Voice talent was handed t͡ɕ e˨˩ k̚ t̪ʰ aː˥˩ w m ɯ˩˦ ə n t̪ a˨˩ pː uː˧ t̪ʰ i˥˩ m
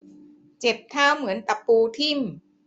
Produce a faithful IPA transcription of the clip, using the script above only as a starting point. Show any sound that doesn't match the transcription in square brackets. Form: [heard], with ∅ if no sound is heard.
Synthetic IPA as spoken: t͡ɕ e˨˩ [p̚] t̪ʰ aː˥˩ w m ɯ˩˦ ə n t̪ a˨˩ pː uː˧ t̪ʰ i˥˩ m